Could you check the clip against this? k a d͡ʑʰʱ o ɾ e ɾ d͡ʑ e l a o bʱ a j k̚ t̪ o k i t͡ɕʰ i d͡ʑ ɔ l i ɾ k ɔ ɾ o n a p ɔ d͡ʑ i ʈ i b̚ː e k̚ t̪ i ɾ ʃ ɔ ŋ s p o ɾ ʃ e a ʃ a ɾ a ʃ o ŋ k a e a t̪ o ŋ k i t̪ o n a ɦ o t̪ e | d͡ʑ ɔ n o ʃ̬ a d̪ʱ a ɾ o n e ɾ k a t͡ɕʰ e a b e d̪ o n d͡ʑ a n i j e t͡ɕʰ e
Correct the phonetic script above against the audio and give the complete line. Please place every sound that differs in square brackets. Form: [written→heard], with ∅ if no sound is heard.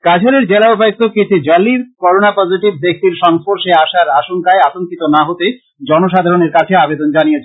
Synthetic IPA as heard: k a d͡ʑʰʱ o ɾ e ɾ d͡ʑ e l a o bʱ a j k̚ t̪ o k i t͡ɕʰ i d͡ʑ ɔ l i ɾ k ɔ ɾ o n a p ɔ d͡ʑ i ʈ i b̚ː e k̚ t̪ i ɾ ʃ ɔ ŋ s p o ɾ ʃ e a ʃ a ɾ a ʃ o ŋ k a e a t̪ o ŋ k i t̪ o n a ɦ o t̪ e | d͡ʑ ɔ n o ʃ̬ a d̪ʱ a ɾ o n e ɾ k a t͡ɕʰ e a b e d̪ o n d͡ʑ a n i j e t͡ɕʰ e